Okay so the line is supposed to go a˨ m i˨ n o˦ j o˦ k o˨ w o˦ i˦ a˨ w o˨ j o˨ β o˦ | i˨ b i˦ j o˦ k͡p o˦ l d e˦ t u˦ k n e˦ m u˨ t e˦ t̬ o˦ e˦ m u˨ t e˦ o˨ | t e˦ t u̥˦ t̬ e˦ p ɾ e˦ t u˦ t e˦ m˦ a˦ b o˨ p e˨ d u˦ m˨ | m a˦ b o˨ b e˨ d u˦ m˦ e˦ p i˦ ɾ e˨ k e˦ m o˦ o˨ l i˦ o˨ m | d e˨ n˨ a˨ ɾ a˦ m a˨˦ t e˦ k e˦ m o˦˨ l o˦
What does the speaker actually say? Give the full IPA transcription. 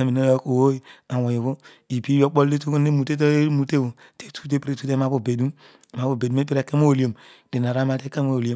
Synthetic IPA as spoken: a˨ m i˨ n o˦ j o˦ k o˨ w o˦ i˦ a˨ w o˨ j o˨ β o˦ | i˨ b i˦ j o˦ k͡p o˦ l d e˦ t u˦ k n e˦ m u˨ t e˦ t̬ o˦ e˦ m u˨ t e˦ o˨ | t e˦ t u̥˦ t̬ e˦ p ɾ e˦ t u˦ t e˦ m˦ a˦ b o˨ b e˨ d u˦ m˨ | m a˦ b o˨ b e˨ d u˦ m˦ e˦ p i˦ ɾ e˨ k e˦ m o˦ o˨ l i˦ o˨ m | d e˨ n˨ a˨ ɾ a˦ m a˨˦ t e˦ k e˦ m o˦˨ l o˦